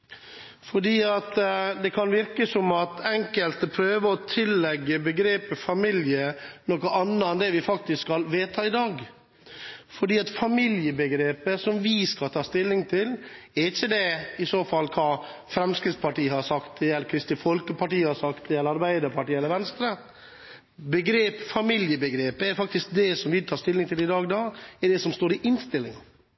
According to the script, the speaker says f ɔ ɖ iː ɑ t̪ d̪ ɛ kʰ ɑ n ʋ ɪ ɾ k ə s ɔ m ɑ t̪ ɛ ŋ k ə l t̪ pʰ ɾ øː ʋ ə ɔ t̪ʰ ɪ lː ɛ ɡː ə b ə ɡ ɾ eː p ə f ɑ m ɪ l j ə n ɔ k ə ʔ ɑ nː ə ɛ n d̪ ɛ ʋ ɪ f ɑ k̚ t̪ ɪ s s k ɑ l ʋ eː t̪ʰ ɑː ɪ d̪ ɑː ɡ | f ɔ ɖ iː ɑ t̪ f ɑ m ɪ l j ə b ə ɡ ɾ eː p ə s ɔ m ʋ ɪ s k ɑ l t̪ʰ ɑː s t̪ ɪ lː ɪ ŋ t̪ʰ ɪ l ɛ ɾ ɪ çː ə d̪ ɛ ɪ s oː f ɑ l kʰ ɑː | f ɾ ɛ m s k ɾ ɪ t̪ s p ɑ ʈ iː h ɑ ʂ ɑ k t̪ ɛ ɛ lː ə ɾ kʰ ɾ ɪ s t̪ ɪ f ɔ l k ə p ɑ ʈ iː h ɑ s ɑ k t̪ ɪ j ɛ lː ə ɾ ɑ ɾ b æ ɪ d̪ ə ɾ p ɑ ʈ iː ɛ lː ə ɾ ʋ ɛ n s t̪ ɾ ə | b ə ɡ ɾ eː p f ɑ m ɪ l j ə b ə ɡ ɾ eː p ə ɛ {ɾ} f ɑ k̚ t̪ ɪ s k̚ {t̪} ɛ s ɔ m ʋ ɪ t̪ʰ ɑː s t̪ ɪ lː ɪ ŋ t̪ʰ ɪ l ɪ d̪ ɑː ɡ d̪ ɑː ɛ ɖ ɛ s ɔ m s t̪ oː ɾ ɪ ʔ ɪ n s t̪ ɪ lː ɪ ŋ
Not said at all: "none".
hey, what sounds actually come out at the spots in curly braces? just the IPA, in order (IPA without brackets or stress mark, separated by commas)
ɾ, d̪